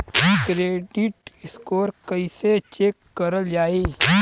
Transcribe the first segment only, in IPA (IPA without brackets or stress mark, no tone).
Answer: k